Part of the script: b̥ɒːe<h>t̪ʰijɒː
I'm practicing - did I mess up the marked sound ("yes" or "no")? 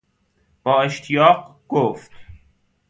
yes